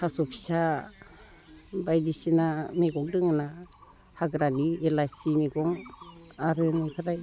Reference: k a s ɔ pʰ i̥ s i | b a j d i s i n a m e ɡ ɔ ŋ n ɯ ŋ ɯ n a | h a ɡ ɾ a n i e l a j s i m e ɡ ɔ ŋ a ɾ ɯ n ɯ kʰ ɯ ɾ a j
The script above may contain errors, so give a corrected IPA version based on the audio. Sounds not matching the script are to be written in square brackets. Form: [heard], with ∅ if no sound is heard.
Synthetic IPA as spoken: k a s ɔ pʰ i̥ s [a] | b a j d i s i n a m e ɡ ɔ ŋ [d] ɯ ŋ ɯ n a | h a ɡ ɾ a n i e l a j s i m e ɡ ɔ ŋ a ɾ ɯ n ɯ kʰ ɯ ɾ a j